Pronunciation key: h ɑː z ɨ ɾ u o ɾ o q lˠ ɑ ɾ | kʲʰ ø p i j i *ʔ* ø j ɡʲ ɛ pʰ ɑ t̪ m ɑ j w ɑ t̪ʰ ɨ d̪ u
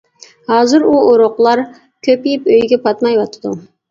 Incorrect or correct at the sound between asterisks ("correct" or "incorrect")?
incorrect